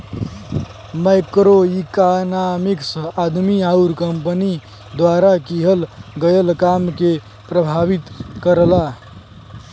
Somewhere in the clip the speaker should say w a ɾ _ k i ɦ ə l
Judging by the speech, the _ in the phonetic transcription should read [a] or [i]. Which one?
a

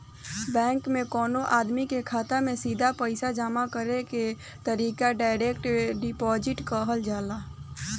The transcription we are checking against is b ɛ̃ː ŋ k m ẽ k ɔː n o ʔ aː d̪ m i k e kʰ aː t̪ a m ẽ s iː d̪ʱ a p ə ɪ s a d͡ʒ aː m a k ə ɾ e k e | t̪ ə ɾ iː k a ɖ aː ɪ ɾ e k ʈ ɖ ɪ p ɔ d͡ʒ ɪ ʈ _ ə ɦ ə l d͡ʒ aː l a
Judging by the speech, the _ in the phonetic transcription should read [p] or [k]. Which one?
k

